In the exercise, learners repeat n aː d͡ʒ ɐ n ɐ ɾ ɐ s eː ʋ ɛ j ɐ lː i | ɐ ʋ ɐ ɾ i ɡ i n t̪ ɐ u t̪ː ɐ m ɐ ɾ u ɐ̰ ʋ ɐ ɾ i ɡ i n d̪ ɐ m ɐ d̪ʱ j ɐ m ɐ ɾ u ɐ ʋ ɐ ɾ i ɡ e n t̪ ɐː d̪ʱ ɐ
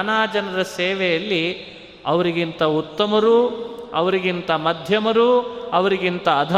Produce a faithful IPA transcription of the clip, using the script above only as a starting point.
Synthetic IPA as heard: n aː d͡ʒ ɐ n ɐ ɾ ɐ s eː ʋ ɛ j ɐ lː i | ɐ ʋ ɐ ɾ i ɡ i n t̪ ɐ u t̪ː ɐ m ɐ ɾ u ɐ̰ ʋ ɐ ɾ i ɡ i n t̪ ɐ m ɐ d̪ʱ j ɐ m ɐ ɾ u ɐ ʋ ɐ ɾ i ɡ i n t̪ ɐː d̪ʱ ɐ